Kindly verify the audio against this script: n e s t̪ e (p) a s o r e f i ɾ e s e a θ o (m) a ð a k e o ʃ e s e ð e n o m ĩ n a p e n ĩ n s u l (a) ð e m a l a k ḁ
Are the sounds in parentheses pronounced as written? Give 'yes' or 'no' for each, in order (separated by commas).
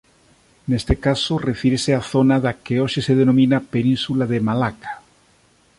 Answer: no, no, yes